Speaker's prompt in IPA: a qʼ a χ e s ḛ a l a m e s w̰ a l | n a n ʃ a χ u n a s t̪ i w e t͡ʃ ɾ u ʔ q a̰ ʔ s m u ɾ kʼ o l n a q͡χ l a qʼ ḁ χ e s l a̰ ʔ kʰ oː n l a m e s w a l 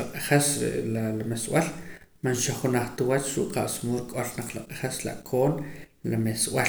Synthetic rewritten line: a qʼ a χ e s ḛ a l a m e s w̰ a l | m a n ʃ a χ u n a χ t̪ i w a t͡ʃ ɾ u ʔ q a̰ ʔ s m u ɾ kʼ o l n a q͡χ l a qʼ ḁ χ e s l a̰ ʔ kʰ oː n l a m e s w a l